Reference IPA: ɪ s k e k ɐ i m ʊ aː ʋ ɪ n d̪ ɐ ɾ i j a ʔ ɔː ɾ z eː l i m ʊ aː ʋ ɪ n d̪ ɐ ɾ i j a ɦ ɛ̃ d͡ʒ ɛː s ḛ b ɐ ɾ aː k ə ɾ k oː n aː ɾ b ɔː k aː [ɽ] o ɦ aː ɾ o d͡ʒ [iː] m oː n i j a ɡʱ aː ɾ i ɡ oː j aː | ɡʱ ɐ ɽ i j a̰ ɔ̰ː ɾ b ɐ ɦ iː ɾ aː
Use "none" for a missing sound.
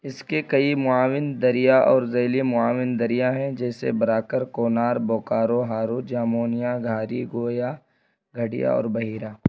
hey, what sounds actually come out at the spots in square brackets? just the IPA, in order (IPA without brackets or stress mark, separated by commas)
ɾ, aː